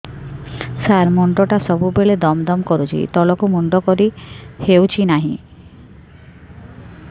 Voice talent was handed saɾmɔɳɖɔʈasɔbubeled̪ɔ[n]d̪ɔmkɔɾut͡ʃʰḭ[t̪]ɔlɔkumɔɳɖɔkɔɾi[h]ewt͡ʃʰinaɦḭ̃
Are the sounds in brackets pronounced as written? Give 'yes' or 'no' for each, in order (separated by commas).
no, yes, yes